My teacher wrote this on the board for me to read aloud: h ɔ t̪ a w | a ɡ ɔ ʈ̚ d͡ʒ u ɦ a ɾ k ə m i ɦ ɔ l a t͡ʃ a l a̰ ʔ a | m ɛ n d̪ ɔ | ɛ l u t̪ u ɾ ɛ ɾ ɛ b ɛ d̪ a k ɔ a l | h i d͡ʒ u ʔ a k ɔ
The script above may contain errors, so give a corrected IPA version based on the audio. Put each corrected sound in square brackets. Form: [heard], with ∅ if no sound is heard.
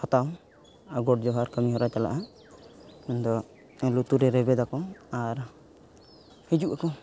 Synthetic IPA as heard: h ɔ t̪ a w | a ɡ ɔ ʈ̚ d͡ʒ [ɔ] ɦ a ɾ k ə m i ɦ ɔ [ɾ] a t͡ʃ a l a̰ ʔ a | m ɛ n d̪ ɔ | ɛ l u t̪ u ɾ ɛ ɾ ɛ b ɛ d̪ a k ɔ a [ɾ] | h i d͡ʒ u ʔ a k ɔ

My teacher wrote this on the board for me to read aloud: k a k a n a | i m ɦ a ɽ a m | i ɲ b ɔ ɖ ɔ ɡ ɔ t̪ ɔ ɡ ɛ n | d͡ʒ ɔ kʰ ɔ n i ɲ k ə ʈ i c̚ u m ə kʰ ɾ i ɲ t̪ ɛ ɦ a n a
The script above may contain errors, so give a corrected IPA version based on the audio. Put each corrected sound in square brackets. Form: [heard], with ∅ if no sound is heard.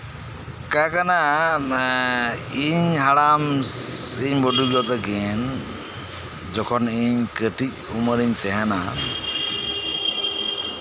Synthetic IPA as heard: k a k a n a | i [ɲ] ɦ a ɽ a m | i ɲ b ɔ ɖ [u] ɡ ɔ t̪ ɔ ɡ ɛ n | d͡ʒ ɔ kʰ ɔ n i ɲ k ə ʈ i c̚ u m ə [∅] ɾ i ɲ t̪ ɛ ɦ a n a

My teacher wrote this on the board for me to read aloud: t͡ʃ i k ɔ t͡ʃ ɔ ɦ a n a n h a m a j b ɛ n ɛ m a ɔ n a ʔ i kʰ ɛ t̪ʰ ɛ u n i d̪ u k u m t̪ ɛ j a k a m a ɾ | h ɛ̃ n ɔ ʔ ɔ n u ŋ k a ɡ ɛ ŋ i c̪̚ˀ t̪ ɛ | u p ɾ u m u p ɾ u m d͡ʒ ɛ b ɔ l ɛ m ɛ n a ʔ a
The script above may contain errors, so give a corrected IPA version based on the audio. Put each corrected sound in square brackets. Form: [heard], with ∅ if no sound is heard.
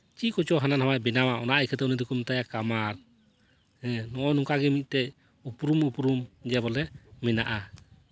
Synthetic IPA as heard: t͡ʃ i k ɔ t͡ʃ ɔ ɦ a n a n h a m a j b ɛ n [a] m a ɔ n a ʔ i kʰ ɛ [t̪] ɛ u n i d̪ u k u m t̪ [a] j a k a m a ɾ | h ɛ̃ n ɔ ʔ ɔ n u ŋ k a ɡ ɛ [m] i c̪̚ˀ t̪ ɛ | u p ɾ u m u p ɾ u m d͡ʒ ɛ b ɔ l ɛ m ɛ n a ʔ a

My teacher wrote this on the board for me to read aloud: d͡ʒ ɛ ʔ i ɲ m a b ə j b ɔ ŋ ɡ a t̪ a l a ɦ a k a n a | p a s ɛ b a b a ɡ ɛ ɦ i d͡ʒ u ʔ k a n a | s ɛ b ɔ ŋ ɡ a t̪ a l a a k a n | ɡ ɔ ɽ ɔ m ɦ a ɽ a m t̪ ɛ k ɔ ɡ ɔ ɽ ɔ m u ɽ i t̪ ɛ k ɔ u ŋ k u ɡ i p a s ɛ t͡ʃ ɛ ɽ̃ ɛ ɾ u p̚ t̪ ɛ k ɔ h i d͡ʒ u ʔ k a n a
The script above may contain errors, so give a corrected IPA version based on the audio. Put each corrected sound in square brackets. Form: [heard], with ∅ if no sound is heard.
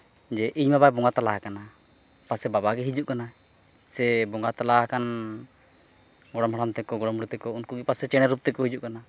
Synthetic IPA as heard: d͡ʒ ɛ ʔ i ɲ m a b [a] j b ɔ ŋ ɡ a t̪ a l a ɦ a k a n a | p a s ɛ b a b a ɡ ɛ ɦ i d͡ʒ u ʔ k a n a | s ɛ b ɔ ŋ ɡ a t̪ a l a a k a n | ɡ ɔ ɽ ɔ m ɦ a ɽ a m t̪ ɛ k ɔ ɡ ɔ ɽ ɔ m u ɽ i t̪ ɛ k ɔ u [n] k u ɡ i p a s ɛ t͡ʃ ɛ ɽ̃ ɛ ɾ u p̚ t̪ ɛ k ɔ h i d͡ʒ u ʔ k a n a

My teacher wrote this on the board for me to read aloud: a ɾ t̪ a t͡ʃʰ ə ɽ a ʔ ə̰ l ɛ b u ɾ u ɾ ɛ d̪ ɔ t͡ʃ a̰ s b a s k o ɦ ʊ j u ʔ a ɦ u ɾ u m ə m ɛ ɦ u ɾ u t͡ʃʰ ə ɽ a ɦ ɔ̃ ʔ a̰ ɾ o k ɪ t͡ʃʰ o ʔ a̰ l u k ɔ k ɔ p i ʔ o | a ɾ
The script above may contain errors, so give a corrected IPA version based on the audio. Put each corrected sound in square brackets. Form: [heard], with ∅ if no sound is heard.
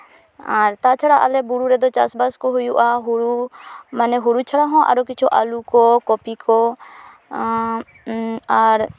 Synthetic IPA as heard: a ɾ t̪ a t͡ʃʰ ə ɽ a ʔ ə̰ l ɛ b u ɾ u ɾ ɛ d̪ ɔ t͡ʃ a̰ s b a s k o ɦ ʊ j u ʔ a ɦ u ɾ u m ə [n] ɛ ɦ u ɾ u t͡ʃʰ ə ɽ a ɦ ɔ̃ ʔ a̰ ɾ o k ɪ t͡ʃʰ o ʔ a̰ l u k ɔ k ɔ p i [k] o | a ɾ

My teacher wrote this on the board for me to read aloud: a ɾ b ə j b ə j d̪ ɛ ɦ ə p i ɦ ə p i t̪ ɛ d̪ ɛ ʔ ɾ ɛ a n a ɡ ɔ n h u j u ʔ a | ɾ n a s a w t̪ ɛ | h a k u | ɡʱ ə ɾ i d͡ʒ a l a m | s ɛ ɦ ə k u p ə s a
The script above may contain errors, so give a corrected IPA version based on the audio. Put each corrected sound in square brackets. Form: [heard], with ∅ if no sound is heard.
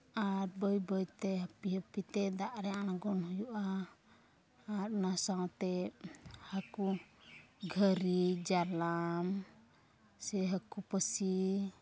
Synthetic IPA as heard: a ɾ b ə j b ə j [t̪] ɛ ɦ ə p i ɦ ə p i t̪ ɛ d̪ [a] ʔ ɾ ɛ a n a ɡ ɔ n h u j u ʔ a | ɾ n a s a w t̪ ɛ | h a k u | ɡʱ ə ɾ i d͡ʒ a l a m | s ɛ ɦ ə k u p ə s [i]

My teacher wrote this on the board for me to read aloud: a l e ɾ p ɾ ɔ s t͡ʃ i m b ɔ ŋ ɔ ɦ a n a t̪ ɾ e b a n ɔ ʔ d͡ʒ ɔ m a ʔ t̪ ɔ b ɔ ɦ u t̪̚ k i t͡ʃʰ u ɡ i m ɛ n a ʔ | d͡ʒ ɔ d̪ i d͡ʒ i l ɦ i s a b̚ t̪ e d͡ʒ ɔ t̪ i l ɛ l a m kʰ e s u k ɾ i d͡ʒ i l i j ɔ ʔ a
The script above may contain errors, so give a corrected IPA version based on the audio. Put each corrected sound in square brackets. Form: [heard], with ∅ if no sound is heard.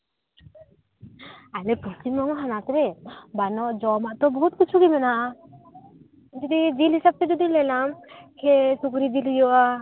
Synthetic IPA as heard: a l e [∅] p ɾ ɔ s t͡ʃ i m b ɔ ŋ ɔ ɦ a n a t̪ ɾ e b a n ɔ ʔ d͡ʒ ɔ m a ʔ t̪ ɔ b ɔ ɦ u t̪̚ k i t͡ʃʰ u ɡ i m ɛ n a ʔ | d͡ʒ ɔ d̪ i d͡ʒ i l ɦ i s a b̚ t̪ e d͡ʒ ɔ [d̪] i l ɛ l a m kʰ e s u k ɾ i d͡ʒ i l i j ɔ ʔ a

